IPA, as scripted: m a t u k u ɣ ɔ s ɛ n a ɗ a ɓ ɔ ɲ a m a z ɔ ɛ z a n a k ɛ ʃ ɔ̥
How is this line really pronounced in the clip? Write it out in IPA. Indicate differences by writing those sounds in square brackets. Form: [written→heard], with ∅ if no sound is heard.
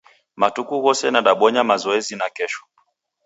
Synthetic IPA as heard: m a t u k u ɣ ɔ s ɛ n a ɗ a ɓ ɔ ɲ a m a z ɔ ɛ z [a→i] n a k ɛ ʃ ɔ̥